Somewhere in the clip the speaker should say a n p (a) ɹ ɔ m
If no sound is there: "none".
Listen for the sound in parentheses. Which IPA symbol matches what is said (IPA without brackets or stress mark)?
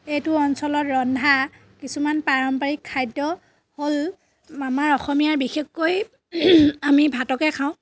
a